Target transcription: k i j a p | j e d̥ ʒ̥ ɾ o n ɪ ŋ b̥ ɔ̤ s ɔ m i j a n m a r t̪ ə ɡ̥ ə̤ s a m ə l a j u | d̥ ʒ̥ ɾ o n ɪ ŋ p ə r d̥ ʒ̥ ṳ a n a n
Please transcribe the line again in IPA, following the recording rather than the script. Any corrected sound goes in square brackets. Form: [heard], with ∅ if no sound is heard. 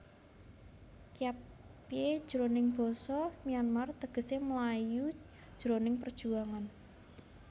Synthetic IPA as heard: k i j a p | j e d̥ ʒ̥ ɾ o n ɪ ŋ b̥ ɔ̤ s ɔ m i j a n m a r t̪ ə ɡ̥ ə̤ s [e] m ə l a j u | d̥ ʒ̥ ɾ o n ɪ ŋ p ə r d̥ ʒ̥ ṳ a [ŋ] a n